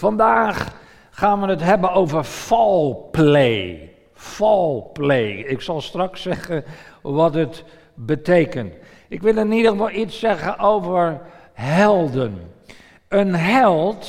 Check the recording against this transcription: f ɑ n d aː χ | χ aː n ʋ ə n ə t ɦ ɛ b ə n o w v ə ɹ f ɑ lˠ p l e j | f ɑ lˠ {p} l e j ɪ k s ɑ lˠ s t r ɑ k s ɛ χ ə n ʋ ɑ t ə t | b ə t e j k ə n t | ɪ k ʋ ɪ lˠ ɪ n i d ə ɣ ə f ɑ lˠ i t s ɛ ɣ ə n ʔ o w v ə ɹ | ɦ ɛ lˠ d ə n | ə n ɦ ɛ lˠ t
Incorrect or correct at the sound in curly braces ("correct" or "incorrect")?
correct